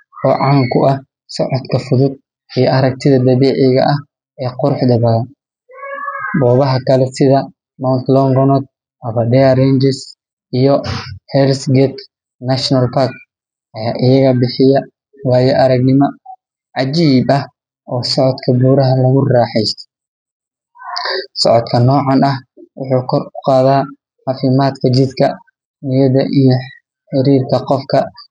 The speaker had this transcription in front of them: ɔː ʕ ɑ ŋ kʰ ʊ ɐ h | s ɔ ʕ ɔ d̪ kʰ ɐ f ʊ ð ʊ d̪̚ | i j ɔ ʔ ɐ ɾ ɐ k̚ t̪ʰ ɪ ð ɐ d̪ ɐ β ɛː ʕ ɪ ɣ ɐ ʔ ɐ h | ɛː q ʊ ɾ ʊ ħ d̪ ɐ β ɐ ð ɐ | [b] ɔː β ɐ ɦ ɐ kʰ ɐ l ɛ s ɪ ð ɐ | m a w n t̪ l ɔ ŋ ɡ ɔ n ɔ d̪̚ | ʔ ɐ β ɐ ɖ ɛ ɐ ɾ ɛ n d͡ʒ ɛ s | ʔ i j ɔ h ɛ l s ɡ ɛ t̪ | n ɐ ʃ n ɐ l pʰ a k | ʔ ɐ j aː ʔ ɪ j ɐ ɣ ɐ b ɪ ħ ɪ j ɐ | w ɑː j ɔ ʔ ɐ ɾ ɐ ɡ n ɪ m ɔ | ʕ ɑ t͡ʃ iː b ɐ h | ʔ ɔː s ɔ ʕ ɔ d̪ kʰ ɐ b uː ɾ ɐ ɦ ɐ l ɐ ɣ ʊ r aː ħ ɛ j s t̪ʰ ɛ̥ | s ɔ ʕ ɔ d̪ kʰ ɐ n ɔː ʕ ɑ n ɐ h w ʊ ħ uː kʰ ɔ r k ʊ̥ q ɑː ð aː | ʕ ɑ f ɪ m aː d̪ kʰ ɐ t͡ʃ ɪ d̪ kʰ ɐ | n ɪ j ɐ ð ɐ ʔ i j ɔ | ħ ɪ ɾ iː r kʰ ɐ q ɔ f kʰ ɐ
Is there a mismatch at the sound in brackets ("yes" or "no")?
no